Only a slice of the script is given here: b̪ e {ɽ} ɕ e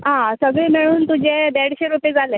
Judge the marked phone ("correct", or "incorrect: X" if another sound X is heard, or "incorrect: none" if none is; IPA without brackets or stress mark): correct